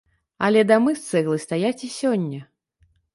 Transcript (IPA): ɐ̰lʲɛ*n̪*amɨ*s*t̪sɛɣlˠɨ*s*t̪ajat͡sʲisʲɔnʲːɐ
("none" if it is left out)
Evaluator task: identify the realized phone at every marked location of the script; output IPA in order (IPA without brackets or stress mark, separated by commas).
d̪, s, s